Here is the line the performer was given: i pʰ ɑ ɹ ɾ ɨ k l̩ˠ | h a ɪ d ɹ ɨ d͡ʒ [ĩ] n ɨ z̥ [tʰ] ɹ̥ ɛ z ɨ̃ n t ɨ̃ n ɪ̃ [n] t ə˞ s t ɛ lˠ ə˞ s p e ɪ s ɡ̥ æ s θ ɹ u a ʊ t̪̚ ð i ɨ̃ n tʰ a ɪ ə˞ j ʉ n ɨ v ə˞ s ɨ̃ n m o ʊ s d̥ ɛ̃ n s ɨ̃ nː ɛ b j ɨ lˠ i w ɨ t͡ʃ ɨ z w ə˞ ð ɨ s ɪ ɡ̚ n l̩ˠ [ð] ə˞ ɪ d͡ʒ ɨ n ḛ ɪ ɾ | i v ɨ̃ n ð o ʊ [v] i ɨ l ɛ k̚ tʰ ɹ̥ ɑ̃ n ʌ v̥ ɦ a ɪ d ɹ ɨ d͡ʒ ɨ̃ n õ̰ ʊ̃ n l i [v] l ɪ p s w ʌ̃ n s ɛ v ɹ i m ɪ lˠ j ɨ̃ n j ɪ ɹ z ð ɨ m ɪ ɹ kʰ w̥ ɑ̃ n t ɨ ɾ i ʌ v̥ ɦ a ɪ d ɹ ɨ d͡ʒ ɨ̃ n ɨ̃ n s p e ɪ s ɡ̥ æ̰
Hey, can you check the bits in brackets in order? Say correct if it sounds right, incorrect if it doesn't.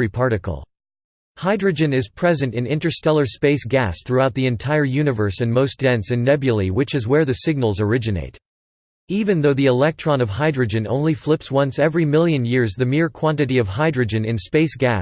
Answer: incorrect: ɨ̃, incorrect: pʰ, correct, incorrect: z, incorrect: ð, incorrect: f

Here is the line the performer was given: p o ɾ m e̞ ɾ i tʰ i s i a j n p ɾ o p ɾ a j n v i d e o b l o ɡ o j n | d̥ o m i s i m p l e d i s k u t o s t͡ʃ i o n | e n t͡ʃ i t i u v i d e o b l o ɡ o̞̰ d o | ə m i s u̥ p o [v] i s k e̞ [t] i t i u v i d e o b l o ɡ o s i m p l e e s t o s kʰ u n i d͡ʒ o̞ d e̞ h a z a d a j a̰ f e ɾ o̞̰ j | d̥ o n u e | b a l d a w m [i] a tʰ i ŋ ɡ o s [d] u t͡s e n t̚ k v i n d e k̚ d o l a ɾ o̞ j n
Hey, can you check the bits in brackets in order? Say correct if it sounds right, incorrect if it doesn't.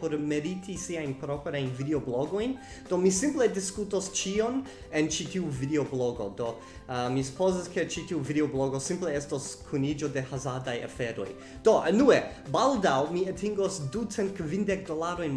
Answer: incorrect: z, incorrect: t͡ʃ, correct, correct

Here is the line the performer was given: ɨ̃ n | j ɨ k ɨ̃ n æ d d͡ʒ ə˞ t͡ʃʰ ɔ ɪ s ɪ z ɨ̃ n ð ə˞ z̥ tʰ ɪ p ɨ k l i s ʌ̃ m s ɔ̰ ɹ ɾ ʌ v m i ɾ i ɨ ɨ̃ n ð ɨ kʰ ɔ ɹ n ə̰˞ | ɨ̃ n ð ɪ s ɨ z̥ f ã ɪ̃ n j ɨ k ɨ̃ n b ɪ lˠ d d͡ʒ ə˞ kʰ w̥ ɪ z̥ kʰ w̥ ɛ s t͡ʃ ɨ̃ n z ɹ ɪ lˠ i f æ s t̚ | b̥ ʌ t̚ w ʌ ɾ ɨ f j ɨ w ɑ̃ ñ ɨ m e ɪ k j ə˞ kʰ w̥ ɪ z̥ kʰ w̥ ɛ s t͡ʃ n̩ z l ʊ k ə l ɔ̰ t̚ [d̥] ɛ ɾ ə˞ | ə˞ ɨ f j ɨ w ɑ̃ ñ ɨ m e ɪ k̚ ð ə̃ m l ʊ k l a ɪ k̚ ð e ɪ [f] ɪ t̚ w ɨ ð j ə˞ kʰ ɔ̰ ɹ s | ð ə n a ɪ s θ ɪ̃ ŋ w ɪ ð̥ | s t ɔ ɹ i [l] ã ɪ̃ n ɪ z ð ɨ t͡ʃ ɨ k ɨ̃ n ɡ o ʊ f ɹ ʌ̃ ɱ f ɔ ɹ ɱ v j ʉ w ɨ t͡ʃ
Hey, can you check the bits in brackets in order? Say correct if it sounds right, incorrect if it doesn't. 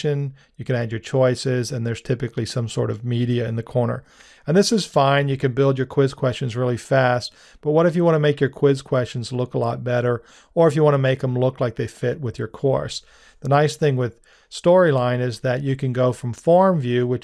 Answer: incorrect: b̥, correct, correct

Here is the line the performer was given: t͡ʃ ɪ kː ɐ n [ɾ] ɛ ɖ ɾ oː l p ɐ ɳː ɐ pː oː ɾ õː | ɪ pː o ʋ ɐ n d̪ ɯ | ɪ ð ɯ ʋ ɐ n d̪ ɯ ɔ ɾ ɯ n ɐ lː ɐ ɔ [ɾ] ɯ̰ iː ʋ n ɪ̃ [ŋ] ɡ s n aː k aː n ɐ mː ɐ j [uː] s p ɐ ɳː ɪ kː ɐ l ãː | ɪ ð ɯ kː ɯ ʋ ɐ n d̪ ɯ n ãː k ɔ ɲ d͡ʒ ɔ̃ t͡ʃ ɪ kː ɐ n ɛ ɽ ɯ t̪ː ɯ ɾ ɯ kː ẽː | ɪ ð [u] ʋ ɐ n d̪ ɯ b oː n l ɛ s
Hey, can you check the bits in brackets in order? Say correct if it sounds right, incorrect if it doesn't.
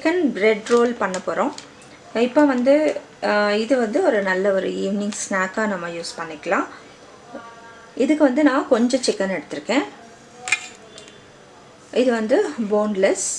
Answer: correct, correct, correct, correct, incorrect: ɯ

